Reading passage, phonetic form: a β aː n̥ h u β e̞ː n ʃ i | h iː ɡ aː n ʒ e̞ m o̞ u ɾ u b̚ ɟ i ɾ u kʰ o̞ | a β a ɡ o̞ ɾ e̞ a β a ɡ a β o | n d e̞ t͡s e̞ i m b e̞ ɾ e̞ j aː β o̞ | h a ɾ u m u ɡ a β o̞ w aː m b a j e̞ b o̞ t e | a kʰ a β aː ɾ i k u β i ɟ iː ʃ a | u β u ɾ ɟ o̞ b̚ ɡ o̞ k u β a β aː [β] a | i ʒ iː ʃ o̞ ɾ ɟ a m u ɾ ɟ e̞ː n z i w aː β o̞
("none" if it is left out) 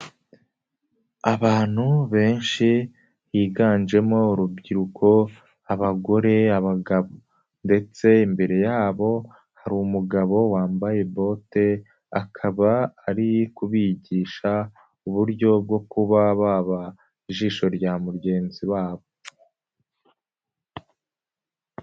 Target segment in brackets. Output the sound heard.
β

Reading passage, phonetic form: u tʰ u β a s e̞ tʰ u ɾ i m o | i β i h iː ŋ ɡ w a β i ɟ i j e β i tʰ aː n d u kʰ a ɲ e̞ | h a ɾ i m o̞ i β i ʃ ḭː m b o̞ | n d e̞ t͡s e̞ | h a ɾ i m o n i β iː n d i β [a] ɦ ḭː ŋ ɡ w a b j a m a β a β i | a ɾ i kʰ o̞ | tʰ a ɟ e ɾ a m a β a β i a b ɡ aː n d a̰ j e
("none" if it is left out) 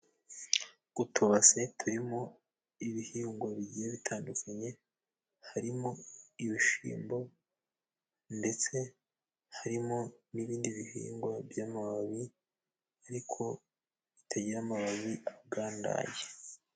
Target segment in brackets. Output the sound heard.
i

